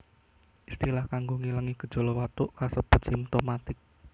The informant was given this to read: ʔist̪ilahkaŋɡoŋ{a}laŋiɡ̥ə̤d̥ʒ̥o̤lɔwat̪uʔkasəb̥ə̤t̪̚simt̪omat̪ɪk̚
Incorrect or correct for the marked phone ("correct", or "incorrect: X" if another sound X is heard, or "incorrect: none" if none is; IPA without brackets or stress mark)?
incorrect: i